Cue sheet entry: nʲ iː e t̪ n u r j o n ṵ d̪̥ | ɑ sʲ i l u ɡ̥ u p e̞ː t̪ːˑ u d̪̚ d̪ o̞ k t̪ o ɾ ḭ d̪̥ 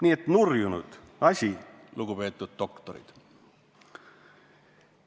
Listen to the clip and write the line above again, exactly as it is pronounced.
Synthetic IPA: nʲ iː e t̪ n u r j u n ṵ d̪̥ | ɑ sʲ i l u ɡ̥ u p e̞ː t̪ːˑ u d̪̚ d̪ o̞ k t̪ o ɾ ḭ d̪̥